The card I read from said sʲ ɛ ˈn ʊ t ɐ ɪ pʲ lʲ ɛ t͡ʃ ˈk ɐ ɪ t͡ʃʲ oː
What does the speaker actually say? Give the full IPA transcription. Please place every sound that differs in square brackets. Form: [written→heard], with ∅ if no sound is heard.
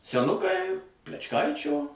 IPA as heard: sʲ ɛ ˈn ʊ [t→k] ɐ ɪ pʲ lʲ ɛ t͡ʃ ˈk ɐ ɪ t͡ʃʲ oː